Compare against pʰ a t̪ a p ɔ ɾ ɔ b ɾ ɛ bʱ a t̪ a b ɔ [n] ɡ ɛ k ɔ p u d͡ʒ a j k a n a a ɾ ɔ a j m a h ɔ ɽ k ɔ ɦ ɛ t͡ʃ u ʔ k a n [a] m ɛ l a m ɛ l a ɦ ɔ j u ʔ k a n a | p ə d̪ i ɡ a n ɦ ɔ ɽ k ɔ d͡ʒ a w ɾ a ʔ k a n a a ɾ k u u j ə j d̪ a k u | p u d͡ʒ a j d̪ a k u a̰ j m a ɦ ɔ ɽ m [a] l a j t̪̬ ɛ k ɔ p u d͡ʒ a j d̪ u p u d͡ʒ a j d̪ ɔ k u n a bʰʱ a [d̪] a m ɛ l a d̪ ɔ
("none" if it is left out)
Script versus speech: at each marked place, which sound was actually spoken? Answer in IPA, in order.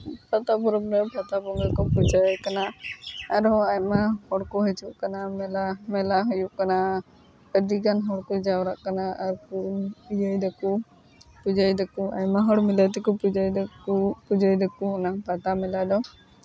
ŋ, a, i, t̪

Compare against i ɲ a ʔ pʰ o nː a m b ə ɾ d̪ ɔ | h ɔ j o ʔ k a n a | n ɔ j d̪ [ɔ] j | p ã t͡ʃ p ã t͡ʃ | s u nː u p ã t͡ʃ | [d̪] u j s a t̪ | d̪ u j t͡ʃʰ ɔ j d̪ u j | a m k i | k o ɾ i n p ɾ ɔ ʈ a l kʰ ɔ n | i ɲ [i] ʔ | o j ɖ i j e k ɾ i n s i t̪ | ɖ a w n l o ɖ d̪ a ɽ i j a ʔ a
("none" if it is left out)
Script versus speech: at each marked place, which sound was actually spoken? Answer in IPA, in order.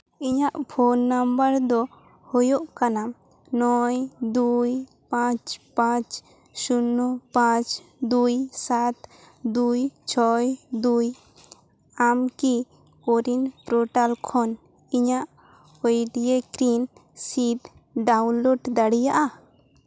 u, d̪, a

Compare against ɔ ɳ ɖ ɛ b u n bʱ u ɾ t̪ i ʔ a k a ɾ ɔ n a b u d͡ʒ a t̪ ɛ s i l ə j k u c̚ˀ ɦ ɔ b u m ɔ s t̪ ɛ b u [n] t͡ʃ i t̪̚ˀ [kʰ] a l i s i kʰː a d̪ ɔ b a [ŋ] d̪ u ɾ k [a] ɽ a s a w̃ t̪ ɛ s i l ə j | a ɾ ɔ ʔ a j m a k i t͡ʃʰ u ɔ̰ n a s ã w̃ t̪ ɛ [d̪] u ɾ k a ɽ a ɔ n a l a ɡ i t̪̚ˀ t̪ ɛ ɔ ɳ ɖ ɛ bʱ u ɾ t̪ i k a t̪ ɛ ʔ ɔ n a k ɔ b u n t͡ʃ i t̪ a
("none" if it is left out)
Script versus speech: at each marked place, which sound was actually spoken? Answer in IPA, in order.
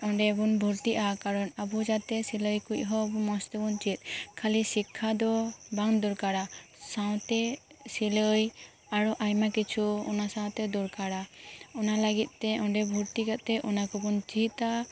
n, kʰ, ŋ, a, d̪

